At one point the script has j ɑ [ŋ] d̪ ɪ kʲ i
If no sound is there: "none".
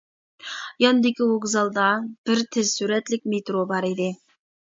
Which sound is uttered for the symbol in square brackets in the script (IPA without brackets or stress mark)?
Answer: n